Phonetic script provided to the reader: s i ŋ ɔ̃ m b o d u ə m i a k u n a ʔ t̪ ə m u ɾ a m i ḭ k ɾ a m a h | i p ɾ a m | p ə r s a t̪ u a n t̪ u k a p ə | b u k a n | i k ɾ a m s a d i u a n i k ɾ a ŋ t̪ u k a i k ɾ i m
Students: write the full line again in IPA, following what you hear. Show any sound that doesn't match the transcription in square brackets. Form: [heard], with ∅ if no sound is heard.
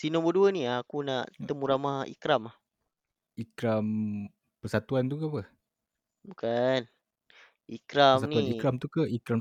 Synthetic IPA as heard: s i [n] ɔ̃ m b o d u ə [n] i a k u n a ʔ t̪ ə m u ɾ a m [a] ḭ k ɾ a m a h | i [k] ɾ a m | p ə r s a t̪ u a n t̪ u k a p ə | b u k a n | i k ɾ a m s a [n] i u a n i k ɾ a [m] t̪ u k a i k ɾ [a] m